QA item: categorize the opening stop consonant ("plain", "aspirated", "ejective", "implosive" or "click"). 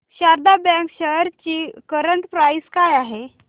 plain